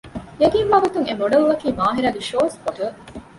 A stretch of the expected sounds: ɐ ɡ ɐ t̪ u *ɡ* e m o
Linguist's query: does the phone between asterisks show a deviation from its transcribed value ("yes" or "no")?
yes